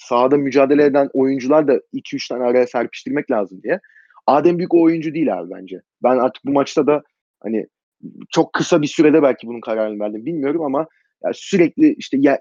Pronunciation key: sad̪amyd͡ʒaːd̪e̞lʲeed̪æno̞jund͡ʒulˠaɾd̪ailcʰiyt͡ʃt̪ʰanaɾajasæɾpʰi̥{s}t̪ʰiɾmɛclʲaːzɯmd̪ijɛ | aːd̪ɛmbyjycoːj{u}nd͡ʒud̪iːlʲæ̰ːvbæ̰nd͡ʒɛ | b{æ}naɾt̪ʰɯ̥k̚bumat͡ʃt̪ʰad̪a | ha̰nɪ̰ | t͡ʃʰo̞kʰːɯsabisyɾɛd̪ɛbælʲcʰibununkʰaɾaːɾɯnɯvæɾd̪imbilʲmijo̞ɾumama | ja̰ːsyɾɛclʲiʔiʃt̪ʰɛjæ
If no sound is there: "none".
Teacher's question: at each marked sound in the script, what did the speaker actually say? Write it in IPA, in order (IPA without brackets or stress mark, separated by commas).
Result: ʃ, u, æ